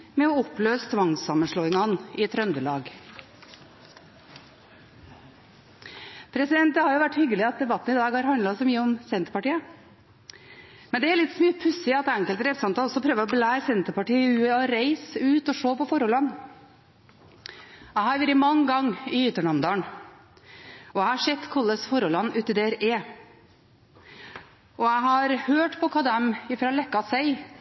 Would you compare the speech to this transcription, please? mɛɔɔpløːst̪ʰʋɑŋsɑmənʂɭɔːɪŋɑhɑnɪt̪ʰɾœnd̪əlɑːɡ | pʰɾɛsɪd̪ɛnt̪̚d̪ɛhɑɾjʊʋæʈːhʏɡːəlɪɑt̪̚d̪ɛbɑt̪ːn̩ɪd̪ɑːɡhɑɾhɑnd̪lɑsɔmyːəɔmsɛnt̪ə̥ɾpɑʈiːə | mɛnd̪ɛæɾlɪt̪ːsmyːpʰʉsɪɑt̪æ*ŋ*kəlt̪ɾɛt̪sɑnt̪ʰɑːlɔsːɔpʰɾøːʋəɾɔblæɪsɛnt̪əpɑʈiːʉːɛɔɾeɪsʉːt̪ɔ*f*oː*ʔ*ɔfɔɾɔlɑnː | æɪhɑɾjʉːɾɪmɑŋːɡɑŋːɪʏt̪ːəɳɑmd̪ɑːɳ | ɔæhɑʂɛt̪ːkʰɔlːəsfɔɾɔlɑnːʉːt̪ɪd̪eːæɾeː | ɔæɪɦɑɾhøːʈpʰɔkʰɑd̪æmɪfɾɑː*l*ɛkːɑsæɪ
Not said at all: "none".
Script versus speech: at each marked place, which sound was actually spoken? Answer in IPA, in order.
ŋ, ʂ, p, l

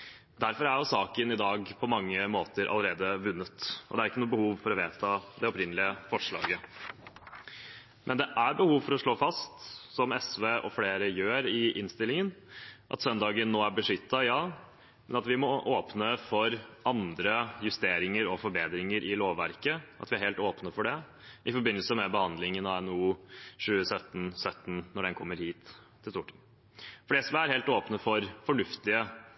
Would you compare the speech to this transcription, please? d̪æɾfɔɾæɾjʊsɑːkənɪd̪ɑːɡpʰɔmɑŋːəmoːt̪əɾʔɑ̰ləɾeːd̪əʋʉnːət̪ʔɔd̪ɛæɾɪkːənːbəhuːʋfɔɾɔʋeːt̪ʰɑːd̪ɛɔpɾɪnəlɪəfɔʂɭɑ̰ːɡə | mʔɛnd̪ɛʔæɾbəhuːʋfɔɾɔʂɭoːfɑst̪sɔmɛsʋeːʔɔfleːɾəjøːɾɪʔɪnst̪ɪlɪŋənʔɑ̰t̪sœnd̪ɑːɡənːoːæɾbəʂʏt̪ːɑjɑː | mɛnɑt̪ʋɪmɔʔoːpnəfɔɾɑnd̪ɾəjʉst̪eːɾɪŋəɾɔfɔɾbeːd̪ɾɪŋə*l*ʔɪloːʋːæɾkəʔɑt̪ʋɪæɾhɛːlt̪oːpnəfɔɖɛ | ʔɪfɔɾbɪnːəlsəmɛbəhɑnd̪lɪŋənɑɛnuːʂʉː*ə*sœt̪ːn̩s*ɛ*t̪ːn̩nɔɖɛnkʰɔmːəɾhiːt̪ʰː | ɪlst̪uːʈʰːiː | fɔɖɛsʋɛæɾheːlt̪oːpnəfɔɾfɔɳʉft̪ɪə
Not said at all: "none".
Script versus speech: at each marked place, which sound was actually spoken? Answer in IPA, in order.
ɾ, ə, œ

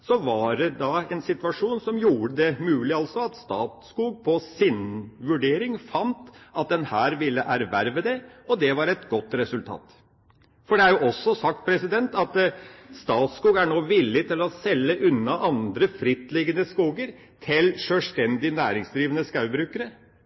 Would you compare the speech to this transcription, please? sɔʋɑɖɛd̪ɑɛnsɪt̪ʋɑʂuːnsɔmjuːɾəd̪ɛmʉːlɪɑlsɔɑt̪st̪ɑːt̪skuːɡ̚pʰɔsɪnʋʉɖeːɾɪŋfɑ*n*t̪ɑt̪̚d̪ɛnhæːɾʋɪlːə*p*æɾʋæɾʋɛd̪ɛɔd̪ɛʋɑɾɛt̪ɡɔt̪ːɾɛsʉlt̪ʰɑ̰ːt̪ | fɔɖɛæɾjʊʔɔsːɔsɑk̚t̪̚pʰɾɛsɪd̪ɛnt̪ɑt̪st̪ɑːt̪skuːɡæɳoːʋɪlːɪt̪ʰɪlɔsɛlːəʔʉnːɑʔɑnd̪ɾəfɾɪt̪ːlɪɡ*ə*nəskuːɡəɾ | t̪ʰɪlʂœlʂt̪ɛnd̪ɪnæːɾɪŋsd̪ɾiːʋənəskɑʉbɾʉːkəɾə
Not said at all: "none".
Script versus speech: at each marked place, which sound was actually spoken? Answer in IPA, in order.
n, ʔ, ə

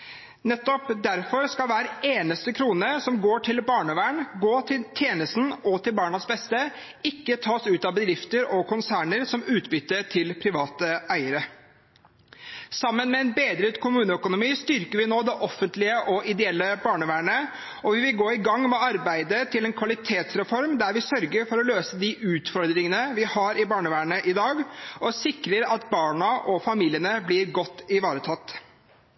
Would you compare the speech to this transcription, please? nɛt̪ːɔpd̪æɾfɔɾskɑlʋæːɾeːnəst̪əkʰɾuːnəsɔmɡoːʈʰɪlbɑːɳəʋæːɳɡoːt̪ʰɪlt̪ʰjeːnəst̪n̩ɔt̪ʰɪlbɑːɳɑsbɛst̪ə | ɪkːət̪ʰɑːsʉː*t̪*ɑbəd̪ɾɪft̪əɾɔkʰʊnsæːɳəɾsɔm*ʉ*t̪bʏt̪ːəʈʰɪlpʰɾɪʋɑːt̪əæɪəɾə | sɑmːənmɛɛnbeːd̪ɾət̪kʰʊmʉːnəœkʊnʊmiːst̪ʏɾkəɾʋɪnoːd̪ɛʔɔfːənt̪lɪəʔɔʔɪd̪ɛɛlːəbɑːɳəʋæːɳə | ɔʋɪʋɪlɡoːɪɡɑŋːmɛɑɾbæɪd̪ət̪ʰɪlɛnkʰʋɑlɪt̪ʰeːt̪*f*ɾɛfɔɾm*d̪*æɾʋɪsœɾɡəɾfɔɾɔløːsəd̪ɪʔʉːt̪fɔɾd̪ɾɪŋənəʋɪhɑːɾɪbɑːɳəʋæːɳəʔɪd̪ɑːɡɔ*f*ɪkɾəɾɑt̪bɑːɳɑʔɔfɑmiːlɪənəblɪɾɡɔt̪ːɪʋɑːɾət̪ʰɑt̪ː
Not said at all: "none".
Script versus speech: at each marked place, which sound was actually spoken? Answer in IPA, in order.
t̪, ʉː, s, d̪, s

